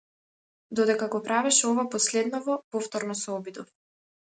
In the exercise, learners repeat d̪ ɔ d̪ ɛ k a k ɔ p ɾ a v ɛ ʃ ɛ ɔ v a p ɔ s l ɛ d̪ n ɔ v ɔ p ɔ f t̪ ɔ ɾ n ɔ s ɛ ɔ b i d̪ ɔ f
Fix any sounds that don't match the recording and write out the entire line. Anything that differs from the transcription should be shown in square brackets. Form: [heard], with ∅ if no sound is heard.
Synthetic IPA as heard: d̪ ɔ d̪ ɛ k a [ɡ] ɔ p ɾ a v ɛ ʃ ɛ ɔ v a p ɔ s l ɛ d̪ n ɔ v ɔ p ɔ f t̪ ɔ ɾ n ɔ s ɛ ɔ b i d̪ ɔ f

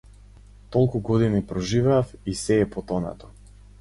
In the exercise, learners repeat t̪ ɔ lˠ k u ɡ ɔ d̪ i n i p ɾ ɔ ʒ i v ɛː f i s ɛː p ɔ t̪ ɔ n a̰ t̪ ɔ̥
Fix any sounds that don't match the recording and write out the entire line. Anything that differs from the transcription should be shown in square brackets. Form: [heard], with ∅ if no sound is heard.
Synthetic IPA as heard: t̪ ɔ lˠ k u ɡ ɔ d̪ i n i p ɾ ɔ ʒ i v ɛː f i s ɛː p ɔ t̪ ɔ n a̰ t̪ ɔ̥

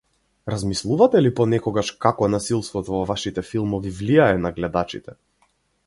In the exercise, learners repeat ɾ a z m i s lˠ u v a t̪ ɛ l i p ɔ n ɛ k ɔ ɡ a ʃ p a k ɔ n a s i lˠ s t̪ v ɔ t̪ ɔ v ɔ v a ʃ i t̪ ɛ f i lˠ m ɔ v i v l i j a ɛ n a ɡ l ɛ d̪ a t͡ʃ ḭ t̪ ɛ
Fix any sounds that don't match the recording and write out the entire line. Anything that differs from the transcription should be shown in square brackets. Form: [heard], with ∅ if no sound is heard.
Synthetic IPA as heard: ɾ a z m i s lˠ u v a t̪ ɛ l i p ɔ n ɛ k ɔ ɡ a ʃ [k] a k ɔ n a s i lˠ s t̪ v ɔ t̪ ɔ v ɔ v a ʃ i t̪ ɛ f i lˠ m ɔ v i v l i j a ɛ n a ɡ l ɛ d̪ a t͡ʃ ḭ t̪ ɛ

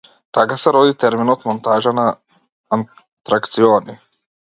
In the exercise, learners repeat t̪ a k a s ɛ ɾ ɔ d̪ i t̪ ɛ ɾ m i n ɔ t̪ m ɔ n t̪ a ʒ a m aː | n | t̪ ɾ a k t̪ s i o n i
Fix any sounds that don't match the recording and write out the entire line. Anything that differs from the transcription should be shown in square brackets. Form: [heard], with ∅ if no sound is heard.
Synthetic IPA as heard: t̪ a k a s ɛ ɾ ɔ d̪ i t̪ ɛ ɾ m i n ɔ t̪ m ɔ n t̪ a ʒ a [n] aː | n | t̪ ɾ a k t̪ s i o n i

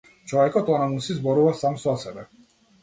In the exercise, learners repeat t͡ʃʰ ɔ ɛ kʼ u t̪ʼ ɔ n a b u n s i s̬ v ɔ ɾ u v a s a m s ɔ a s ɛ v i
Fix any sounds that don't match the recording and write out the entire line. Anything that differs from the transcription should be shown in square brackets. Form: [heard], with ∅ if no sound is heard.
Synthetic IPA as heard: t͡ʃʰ ɔ ɛ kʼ [ɔ] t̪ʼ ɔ n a [m] u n s i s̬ [b] ɔ ɾ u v a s a m s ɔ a s ɛ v [ɛ]

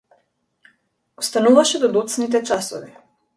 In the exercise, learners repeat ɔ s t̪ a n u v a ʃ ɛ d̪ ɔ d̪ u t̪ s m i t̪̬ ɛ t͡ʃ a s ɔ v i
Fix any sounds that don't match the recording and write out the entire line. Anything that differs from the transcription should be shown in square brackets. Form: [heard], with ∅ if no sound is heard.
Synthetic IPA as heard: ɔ s t̪ a n u v a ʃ ɛ d̪ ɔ d̪ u t̪ s [n] i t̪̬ ɛ t͡ʃ a s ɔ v i

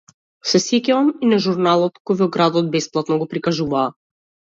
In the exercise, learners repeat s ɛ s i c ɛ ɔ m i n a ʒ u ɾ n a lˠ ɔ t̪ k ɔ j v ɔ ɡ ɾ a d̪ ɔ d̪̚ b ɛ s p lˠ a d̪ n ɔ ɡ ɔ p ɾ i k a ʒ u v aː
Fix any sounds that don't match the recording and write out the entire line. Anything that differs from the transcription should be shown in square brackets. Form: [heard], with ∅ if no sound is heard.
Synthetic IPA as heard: s ɛ s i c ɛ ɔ m i n a ʒ u ɾ n a lˠ ɔ t̪ k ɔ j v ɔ ɡ ɾ a d̪ ɔ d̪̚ b ɛ s p lˠ a [t̪] n ɔ ɡ ɔ p ɾ i k a ʒ u v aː

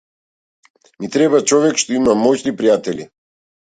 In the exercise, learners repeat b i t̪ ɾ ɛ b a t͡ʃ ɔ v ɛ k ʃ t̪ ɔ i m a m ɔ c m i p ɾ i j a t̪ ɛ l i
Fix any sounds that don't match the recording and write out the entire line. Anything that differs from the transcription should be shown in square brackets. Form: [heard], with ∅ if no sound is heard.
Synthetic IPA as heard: [m] i t̪ ɾ ɛ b a t͡ʃ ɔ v ɛ k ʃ t̪ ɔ i m a m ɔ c [n] i p ɾ i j a t̪ ɛ l i

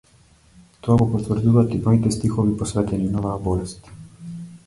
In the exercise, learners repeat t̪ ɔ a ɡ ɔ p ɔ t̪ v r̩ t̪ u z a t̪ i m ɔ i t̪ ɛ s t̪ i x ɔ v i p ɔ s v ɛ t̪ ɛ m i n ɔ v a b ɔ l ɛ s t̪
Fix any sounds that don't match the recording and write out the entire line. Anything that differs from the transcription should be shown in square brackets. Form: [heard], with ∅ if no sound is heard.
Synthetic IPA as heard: t̪ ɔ a ɡ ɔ p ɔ t̪ v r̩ [d̪] u [v] a t̪ i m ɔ i t̪ ɛ s t̪ i x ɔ v i p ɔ s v ɛ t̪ ɛ [n] i n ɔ v a b ɔ l ɛ s t̪

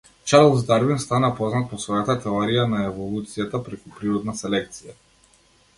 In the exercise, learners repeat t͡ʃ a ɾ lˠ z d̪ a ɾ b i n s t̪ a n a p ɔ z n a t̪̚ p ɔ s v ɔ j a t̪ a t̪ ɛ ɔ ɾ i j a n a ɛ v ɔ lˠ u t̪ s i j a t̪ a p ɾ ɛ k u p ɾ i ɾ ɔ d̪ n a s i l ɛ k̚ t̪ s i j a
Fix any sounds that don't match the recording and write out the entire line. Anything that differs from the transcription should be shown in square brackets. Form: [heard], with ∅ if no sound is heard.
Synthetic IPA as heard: t͡ʃ a ɾ lˠ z d̪ a ɾ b i n s t̪ a n a p ɔ z n a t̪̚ p ɔ s v ɔ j a t̪ a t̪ ɛ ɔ ɾ i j a n a ɛ v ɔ lˠ u t̪ s i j a t̪ a p ɾ ɛ k u p ɾ i ɾ ɔ d̪ n a s [ɛ] l ɛ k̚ t̪ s i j a

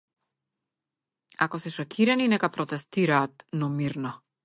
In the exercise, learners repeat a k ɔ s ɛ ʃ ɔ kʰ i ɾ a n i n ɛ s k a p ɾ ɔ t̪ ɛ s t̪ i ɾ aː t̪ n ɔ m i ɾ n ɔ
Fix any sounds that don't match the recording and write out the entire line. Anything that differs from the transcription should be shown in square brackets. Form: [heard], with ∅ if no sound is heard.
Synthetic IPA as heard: a k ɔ s ɛ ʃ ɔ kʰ i ɾ a n i n ɛ [∅] k a p ɾ ɔ t̪ ɛ s t̪ i ɾ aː t̪ n ɔ m i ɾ n ɔ

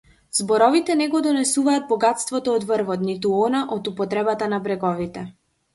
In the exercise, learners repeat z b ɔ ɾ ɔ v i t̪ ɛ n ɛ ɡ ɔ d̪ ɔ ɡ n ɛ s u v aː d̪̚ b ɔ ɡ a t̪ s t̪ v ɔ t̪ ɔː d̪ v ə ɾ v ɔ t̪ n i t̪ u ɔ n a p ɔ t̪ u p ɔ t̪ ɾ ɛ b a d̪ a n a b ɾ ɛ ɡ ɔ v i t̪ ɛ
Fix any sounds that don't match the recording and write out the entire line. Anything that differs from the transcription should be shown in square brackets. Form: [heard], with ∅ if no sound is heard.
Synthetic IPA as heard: z b ɔ ɾ ɔ v i t̪ ɛ n ɛ ɡ ɔ d̪ ɔ [∅] n ɛ s u v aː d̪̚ b ɔ ɡ a t̪ s t̪ v ɔ t̪ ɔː d̪ v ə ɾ v ɔ t̪ n i t̪ u ɔ n a [ʔ] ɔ t̪ u p ɔ t̪ ɾ ɛ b a [t̪] a n a b ɾ ɛ ɡ ɔ v i t̪ ɛ

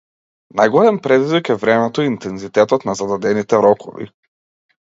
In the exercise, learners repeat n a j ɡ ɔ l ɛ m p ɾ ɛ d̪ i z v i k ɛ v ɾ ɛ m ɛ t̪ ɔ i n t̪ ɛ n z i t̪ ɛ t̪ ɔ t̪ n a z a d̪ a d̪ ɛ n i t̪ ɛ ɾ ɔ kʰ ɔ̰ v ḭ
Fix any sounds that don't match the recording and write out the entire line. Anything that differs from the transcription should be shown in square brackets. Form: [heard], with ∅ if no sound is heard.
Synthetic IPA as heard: n a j ɡ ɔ l ɛ m p ɾ ɛ d̪ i z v i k ɛ v ɾ ɛ m ɛ t̪ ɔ i n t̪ ɛ n z i t̪ ɛ t̪ ɔ t̪ n a z a d̪ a d̪ ɛ n i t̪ ɛ ɾ ɔ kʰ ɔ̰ v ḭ

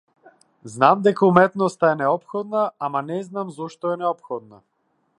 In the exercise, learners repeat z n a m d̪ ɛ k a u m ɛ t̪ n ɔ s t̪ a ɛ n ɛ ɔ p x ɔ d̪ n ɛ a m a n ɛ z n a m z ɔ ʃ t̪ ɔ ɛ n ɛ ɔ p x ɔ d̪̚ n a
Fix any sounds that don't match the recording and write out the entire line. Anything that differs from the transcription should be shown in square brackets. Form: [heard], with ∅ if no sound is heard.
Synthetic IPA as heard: z n a m d̪ ɛ k a u m ɛ t̪ n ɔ s t̪ a ɛ n ɛ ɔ p x ɔ d̪ n [a] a m a n ɛ z n a m z ɔ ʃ t̪ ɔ ɛ n ɛ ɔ p x ɔ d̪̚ n a

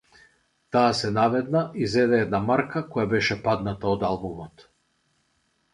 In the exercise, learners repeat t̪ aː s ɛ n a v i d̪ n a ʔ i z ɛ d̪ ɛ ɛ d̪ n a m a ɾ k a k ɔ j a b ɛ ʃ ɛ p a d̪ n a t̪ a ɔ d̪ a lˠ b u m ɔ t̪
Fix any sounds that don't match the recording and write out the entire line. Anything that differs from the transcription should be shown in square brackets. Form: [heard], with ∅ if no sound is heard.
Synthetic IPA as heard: t̪ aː s ɛ n a v [ɛ] d̪ n a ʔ i z ɛ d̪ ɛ ɛ d̪ n a m a ɾ k a k ɔ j a b ɛ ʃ ɛ p a d̪ n a t̪ a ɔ d̪ a lˠ b u m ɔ t̪

